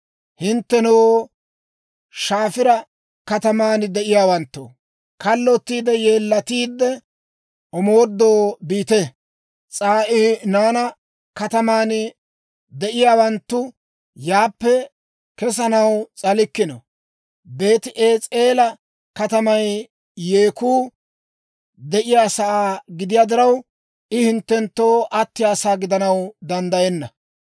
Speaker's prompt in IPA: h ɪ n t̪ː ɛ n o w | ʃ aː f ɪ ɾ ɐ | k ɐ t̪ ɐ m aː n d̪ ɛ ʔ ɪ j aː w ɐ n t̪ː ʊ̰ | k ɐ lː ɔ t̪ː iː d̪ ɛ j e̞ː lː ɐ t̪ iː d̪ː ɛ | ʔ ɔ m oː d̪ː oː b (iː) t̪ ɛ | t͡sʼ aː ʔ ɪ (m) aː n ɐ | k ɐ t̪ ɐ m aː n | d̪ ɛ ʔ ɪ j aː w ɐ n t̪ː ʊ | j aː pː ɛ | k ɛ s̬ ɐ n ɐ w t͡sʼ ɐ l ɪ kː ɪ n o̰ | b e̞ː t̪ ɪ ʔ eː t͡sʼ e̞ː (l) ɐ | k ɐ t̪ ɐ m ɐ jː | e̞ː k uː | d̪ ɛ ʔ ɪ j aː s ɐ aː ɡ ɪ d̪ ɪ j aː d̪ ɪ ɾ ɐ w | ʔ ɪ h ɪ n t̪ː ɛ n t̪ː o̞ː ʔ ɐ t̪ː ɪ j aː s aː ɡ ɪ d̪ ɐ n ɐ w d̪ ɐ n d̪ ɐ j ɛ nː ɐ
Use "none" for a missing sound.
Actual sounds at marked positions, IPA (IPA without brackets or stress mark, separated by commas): iː, n, l